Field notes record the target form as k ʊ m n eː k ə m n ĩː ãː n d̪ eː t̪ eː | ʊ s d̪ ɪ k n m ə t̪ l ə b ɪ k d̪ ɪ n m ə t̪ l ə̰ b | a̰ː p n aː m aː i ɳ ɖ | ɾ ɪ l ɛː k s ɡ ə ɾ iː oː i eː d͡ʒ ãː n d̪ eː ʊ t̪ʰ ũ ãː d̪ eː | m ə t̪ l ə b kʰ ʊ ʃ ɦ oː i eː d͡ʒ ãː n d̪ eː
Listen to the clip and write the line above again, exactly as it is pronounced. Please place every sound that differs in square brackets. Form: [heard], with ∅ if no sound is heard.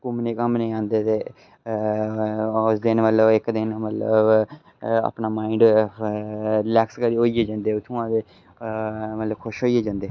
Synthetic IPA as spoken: k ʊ m n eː k ə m n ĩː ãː n d̪ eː t̪ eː | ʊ s d̪ ɪ [∅] n m ə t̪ l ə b ɪ k d̪ ɪ n m ə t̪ l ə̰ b | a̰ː p n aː m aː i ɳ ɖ | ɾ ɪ l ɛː k s [k] ə ɾ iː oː i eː d͡ʒ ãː n d̪ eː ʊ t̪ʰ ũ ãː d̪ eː | m ə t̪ l ə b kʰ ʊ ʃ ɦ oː i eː d͡ʒ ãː n d̪ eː